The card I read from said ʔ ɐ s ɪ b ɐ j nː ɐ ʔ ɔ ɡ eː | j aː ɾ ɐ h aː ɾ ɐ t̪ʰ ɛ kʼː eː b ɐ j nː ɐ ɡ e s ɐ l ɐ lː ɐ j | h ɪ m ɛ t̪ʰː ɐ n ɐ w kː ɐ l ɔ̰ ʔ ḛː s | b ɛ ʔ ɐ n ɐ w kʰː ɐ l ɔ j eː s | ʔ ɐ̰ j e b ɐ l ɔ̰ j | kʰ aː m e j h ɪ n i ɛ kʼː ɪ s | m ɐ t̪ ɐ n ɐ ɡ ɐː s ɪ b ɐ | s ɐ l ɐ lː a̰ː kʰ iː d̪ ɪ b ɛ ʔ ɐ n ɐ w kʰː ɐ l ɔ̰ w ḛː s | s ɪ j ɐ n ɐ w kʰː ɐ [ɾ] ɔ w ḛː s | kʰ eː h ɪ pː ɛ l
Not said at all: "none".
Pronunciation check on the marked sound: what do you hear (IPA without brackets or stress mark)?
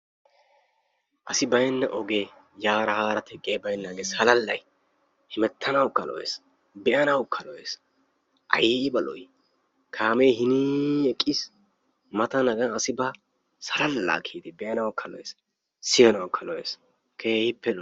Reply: l